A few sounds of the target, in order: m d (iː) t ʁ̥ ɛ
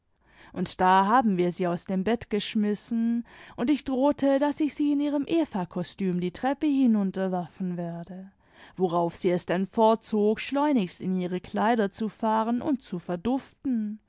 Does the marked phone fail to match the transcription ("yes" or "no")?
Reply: no